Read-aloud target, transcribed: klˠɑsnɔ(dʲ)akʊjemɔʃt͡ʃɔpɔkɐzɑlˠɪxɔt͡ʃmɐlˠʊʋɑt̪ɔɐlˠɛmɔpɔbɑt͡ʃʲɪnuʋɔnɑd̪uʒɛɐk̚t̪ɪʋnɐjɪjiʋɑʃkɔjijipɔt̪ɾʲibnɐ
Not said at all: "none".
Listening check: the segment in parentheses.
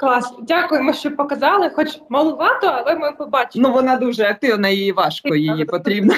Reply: dʲ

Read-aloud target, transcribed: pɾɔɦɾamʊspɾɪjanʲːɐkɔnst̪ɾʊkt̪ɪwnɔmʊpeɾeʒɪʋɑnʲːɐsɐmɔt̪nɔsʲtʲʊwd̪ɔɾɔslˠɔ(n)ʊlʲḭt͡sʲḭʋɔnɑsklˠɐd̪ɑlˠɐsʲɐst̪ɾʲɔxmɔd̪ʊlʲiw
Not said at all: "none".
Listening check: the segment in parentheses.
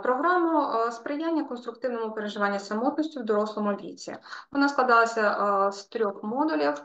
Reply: m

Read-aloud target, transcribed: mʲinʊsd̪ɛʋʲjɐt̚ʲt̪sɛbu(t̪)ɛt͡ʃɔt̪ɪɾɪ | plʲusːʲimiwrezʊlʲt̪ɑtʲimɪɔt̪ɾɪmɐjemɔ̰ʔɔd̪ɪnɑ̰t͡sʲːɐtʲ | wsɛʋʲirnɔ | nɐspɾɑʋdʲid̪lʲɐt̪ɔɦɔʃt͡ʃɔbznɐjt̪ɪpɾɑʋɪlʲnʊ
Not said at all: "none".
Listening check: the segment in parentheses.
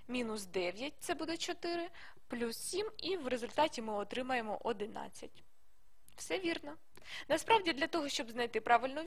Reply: d̪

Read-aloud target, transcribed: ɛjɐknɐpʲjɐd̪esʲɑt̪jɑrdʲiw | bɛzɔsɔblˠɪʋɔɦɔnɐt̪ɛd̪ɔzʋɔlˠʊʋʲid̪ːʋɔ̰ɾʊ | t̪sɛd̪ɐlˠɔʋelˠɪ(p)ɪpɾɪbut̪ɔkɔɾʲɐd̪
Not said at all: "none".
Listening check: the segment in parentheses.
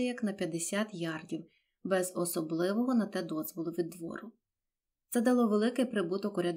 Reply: k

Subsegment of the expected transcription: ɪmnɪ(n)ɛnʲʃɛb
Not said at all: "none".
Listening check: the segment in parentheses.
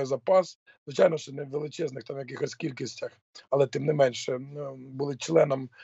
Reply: m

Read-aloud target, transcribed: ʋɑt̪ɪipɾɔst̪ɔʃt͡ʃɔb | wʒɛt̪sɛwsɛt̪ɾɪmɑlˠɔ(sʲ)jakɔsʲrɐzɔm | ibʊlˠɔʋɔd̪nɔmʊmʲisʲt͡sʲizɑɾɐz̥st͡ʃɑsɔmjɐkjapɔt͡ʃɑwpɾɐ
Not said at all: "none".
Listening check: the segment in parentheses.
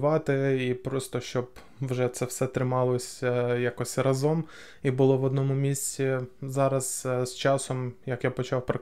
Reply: sʲ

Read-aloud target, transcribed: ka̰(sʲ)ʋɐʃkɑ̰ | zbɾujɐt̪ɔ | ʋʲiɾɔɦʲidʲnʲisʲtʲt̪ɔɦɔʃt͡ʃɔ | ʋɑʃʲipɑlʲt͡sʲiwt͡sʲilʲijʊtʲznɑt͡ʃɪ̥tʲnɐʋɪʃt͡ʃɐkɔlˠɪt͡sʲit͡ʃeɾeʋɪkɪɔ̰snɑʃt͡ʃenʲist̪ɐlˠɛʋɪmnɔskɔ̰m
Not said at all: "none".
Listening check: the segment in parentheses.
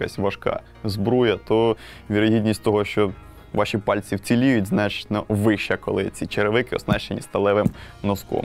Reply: sʲ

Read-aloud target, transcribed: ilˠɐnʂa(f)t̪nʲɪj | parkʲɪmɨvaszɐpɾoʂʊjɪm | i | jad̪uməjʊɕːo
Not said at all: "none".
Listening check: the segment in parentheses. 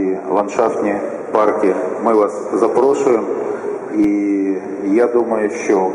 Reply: f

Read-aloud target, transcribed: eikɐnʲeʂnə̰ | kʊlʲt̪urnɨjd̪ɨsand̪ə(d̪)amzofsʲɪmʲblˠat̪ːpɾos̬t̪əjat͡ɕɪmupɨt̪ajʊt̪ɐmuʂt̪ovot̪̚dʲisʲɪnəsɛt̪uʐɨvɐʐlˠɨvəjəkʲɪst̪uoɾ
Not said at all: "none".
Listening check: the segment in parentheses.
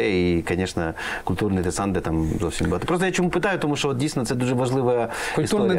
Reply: t̪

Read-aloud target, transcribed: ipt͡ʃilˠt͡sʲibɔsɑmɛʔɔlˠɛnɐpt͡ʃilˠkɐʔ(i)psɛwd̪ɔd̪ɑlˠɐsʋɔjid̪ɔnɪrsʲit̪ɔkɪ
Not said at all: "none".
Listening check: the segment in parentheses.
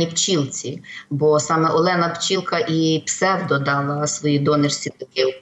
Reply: i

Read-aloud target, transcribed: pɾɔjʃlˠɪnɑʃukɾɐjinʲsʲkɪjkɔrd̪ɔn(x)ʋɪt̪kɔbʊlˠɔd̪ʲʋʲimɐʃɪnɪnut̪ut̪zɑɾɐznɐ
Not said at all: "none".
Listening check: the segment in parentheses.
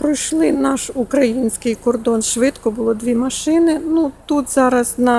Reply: ʃ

